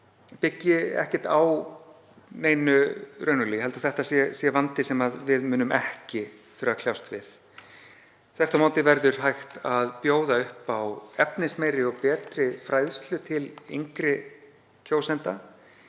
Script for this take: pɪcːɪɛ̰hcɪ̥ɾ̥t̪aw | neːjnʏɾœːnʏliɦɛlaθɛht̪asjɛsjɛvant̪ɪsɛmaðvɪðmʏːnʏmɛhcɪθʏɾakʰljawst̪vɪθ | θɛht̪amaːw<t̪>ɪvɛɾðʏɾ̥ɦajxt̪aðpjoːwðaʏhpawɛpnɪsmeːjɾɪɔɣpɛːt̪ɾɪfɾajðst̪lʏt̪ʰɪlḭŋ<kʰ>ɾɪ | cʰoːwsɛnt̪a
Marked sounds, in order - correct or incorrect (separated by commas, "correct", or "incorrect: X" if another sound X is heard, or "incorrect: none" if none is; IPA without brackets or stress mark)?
correct, incorrect: k